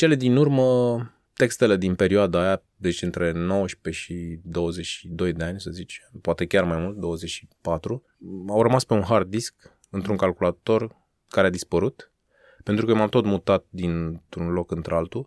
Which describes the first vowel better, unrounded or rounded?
unrounded